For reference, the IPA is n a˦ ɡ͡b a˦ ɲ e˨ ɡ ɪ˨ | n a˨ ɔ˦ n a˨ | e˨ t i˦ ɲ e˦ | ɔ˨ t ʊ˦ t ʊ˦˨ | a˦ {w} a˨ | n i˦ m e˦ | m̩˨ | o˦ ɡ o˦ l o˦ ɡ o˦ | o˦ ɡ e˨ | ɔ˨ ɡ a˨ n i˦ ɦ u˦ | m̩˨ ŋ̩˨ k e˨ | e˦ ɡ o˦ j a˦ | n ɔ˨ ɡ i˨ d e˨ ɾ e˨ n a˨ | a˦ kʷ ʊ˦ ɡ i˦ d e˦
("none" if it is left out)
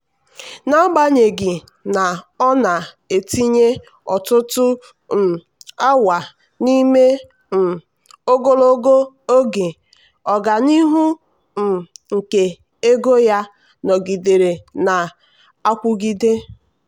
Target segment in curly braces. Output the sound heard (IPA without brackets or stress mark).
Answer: w